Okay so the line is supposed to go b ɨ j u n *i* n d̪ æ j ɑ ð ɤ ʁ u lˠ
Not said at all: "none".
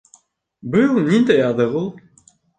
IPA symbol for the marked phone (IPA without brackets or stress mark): i